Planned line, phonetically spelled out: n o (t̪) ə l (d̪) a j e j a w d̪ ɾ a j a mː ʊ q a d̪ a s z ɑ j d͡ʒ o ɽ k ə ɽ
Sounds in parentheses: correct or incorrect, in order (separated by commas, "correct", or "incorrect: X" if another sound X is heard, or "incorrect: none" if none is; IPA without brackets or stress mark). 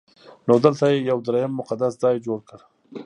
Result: incorrect: d̪, incorrect: t̪